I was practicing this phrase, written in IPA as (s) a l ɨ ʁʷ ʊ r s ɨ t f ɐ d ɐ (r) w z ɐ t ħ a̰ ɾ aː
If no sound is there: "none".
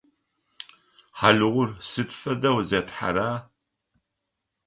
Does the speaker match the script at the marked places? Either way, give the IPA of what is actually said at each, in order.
ħ, none

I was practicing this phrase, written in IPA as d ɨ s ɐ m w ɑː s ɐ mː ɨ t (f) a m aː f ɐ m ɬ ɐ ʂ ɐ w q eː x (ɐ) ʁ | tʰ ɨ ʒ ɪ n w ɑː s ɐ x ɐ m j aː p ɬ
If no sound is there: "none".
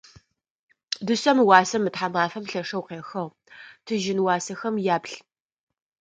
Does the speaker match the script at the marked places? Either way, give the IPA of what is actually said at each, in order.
ħ, ɐ

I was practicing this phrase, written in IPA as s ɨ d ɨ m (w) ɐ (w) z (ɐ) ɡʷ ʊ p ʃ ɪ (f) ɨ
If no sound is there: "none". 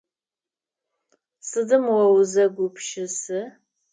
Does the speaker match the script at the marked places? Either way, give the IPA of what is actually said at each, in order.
w, w, ɐ, s

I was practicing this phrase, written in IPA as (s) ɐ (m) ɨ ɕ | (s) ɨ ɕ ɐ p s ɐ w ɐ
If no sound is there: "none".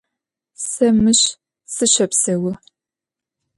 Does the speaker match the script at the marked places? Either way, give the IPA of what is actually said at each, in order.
s, m, s

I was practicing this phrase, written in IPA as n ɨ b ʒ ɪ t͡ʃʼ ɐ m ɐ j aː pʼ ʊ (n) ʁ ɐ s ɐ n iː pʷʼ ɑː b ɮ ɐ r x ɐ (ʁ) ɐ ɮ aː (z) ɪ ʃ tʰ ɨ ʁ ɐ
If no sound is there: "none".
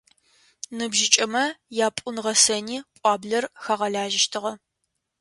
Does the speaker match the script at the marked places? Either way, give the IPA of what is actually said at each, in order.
n, ʁ, ʒ

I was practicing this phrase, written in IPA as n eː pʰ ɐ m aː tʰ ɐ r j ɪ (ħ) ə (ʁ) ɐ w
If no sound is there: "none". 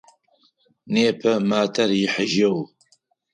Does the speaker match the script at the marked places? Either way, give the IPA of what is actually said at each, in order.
ħ, ʒ

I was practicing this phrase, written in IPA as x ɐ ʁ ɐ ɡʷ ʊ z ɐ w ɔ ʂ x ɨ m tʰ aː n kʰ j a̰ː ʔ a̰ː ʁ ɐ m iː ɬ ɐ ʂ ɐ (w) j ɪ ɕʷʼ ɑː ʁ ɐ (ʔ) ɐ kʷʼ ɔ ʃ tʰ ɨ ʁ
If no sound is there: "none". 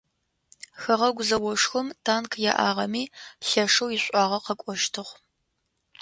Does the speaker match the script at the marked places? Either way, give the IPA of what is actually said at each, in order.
w, q

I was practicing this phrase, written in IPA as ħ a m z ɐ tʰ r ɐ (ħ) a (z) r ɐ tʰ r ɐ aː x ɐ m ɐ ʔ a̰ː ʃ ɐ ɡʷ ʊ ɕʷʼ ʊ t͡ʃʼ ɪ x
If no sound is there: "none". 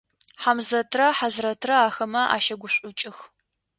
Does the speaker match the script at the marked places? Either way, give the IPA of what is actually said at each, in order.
ħ, z

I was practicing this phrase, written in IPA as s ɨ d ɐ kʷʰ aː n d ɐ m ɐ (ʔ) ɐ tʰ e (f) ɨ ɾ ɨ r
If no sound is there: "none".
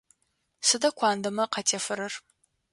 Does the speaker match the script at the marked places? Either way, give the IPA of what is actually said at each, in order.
q, f

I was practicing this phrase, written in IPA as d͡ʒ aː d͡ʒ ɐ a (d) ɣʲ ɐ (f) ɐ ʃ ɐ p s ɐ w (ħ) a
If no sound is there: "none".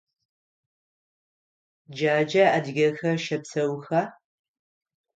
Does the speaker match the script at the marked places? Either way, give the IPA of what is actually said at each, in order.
d, x, x

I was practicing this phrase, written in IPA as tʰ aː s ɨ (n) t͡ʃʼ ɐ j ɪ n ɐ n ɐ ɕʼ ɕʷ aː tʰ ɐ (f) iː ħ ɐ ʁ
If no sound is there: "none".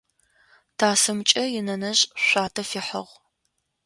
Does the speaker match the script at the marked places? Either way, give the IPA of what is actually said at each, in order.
m, f

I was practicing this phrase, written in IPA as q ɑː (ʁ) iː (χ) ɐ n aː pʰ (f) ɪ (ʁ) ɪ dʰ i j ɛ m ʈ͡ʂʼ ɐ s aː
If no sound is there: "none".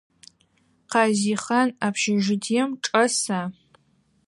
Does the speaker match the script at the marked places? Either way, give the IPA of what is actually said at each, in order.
z, χ, ʃ, ʒ

